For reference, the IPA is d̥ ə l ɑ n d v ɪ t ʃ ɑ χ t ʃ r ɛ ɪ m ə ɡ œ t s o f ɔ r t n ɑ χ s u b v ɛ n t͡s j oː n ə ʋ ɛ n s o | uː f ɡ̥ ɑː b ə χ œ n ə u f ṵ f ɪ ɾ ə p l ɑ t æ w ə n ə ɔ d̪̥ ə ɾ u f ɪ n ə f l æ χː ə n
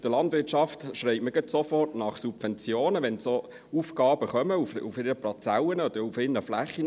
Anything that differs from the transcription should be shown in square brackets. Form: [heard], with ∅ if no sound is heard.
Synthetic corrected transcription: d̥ ə l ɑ n d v ɪ t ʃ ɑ [f] t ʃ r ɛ ɪ m ə ɡ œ t s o f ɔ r t n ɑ χ s u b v ɛ n t͡s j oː n ə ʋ ɛ n s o | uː f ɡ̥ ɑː b ə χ œ [m] ə u f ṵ f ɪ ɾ ə p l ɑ [t͡s] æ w ə n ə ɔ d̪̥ ə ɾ u f ɪ n ə f l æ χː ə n